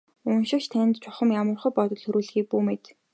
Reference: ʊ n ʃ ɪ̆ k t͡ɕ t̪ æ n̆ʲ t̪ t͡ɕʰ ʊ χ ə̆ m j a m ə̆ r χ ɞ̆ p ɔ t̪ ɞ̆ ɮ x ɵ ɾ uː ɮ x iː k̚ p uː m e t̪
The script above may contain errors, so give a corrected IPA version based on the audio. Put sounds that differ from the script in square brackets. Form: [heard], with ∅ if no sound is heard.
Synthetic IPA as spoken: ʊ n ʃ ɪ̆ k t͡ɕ [t̪ʰ] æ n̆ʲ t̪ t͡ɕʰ ʊ χ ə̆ m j a m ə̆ r χ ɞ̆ p ɔ t̪ ɞ̆ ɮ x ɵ ɾ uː ɮ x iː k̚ p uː m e t̪